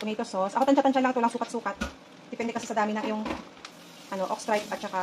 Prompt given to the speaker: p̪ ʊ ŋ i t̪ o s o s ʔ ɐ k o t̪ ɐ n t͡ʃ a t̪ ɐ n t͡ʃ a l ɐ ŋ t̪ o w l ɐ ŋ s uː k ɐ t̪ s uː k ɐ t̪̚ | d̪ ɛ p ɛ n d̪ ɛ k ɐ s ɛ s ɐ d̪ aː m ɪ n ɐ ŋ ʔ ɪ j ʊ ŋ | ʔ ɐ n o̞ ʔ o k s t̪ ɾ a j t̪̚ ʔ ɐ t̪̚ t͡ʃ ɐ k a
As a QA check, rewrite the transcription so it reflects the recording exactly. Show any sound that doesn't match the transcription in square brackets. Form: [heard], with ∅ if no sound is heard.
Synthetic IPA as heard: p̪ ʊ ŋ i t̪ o s o s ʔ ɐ k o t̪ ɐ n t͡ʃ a t̪ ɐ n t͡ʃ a l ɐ ŋ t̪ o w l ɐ ŋ s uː k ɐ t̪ s uː k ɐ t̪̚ | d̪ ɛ p ɛ n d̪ ɛ k ɐ s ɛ s ɐ d̪ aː m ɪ n ɐ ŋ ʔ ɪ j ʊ ŋ | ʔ ɐ n o̞ ʔ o k s t̪ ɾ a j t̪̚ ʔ ɐ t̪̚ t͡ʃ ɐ k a

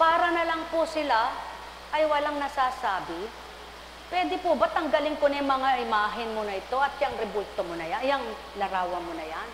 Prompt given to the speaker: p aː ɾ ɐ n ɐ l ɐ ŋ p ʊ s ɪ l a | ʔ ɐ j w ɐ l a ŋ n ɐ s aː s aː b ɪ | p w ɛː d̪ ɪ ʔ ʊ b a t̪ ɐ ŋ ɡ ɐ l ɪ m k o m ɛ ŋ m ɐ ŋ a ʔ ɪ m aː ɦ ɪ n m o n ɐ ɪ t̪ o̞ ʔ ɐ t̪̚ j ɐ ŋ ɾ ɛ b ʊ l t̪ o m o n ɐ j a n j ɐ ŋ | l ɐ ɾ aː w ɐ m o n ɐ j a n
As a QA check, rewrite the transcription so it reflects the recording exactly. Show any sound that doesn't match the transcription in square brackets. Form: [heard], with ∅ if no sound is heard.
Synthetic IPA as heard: p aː ɾ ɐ n ɐ l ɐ ŋ p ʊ s ɪ l a | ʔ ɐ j w ɐ l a ŋ n ɐ s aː s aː b ɪ | p w ɛː d̪ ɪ [p] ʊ b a t̪ ɐ ŋ ɡ ɐ l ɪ [ŋ] k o [n] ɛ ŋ m ɐ ŋ a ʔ ɪ m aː ɦ ɪ n m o n ɐ ɪ t̪ o̞ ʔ ɐ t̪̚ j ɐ ŋ ɾ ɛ b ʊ l t̪ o m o n ɐ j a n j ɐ ŋ | l ɐ ɾ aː w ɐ m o n ɐ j a n

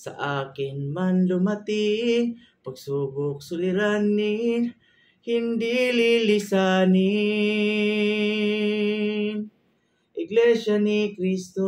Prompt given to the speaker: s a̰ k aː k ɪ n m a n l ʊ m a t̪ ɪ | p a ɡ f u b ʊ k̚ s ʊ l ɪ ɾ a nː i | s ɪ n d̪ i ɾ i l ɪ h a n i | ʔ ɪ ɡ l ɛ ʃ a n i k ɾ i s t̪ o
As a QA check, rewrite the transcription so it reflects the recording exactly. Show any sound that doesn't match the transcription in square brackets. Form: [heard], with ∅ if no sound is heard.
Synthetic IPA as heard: s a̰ [ʔ] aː k ɪ n m a n l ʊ m a t̪ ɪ | p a ɡ [s] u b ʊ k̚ s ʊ l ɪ ɾ a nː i | [h] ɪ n d̪ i [l] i l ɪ [s] a n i | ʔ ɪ ɡ l ɛ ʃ a n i k ɾ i s t̪ o

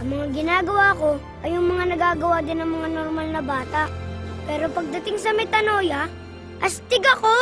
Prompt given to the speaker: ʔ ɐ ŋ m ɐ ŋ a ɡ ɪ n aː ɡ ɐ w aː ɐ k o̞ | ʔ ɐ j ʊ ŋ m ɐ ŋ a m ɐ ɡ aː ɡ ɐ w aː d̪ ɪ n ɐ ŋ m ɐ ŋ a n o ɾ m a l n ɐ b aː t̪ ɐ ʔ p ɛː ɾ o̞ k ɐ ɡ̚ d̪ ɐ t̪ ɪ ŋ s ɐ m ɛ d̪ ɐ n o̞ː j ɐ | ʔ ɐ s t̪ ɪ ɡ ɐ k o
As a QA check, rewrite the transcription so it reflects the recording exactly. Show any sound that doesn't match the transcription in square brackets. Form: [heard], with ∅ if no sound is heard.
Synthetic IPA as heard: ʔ ɐ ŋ m ɐ ŋ a ɡ ɪ n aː ɡ ɐ w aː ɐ k o̞ | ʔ ɐ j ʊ ŋ m ɐ ŋ a [n] ɐ ɡ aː ɡ ɐ w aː d̪ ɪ n ɐ ŋ m ɐ ŋ a n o ɾ m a l n ɐ b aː t̪ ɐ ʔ p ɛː ɾ o̞ [p] ɐ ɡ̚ d̪ ɐ t̪ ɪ ŋ s ɐ m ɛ [t̪] ɐ n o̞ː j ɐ | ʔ ɐ s t̪ ɪ ɡ ɐ k o

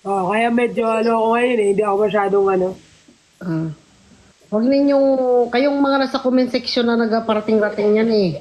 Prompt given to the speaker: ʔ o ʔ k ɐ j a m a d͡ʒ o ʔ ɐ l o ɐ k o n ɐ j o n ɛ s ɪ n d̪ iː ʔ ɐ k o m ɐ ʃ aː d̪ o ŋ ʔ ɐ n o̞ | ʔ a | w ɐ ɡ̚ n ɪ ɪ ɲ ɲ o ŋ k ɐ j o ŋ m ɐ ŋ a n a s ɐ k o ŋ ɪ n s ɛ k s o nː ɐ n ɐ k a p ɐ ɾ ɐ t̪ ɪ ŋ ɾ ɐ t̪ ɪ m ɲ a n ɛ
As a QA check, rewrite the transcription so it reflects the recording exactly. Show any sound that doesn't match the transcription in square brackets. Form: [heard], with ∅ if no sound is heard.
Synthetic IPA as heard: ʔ o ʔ k ɐ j a m [ɛ] d͡ʒ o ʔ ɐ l o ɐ k o [ŋ] ɐ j o n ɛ [h] ɪ n d̪ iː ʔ ɐ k o m ɐ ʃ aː d̪ o ŋ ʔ ɐ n o̞ | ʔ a | w ɐ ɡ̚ n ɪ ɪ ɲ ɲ o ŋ k ɐ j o ŋ m ɐ ŋ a n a s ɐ k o [m] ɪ n s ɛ k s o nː ɐ n ɐ [ɡ] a p ɐ ɾ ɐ t̪ ɪ ŋ ɾ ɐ t̪ ɪ [ŋ] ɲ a n ɛ

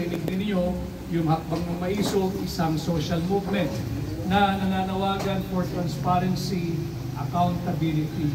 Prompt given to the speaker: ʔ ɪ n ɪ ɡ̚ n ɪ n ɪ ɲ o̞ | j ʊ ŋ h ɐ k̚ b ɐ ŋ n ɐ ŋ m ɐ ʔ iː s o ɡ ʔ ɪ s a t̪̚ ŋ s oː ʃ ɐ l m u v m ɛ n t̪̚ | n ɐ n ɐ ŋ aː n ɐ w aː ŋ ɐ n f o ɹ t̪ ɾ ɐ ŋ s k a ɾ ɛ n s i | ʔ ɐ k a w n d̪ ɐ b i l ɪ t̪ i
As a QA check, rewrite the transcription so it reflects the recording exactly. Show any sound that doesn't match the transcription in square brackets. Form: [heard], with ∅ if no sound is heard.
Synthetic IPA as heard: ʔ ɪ n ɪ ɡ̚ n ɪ n ɪ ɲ o̞ | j ʊ ŋ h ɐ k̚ b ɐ ŋ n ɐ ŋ m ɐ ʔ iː s o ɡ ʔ ɪ s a [∅] ŋ s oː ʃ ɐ l m u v m ɛ n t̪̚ | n ɐ n ɐ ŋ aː n ɐ w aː [ɡ] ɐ n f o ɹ t̪ ɾ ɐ [n] s [p] a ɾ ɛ n s i | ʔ ɐ k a w n [t̪] ɐ b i l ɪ t̪ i

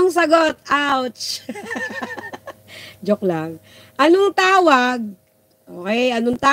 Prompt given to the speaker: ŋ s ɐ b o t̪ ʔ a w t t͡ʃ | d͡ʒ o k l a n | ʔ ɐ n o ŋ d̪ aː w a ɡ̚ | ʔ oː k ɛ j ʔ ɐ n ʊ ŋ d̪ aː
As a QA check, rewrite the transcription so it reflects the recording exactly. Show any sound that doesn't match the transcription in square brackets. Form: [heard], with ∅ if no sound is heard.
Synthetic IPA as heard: ŋ s ɐ [ɡ] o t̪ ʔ a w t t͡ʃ | d͡ʒ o k l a [ŋ] | ʔ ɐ n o ŋ [t̪] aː w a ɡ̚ | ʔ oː k ɛ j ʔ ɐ n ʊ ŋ [t̪] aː

